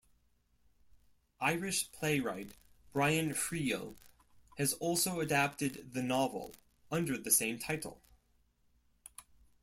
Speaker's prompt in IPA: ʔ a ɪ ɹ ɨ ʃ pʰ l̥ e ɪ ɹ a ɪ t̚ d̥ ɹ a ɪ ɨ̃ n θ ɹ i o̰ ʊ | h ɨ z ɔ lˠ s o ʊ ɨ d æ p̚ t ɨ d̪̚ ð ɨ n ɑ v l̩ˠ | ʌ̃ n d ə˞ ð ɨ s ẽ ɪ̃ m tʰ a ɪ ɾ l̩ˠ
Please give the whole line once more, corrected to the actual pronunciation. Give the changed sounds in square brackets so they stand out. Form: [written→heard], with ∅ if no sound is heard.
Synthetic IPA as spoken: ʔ a ɪ ɹ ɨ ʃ pʰ l̥ e ɪ ɹ a ɪ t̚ [d̥→b̥] ɹ a ɪ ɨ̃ n [θ→f] ɹ i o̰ ʊ | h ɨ z ɔ lˠ s o ʊ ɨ d æ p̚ t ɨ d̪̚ ð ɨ n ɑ v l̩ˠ | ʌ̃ n d ə˞ ð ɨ s ẽ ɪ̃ m tʰ a ɪ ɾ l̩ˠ